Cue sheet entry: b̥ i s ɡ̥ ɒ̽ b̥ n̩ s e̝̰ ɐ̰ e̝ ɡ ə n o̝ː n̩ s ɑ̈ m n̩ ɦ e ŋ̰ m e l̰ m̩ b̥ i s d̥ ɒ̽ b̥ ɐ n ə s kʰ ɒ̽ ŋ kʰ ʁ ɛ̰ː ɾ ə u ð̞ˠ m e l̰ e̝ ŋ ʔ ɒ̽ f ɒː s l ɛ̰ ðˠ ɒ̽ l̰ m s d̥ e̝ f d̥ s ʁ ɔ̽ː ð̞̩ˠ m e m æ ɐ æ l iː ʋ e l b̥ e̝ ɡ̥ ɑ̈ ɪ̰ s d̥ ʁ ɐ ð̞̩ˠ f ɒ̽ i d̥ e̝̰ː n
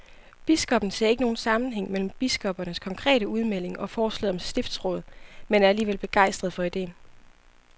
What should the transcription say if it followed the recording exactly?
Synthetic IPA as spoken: b̥ i s ɡ̥ ɒ̽ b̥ n̩ s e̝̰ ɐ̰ e̝ ɡ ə n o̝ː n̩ s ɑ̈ m n̩ ɦ e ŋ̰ m e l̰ m̩ b̥ i s ɡ̥ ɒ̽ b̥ ɐ n ə s kʰ ɒ̽ ŋ kʰ ʁ ɛ̰ː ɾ ə u ð̞ˠ m e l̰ e̝ ŋ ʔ ɒ̽ f ɒː s l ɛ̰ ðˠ ɒ̽ m s d̥ e̝ f d̥ s ʁ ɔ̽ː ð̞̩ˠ m e n æ ɐ æ l iː ʋ e l b̥ e̝ ɡ̥ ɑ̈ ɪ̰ s d̥ ʁ ɐ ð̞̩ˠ f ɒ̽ i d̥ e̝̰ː n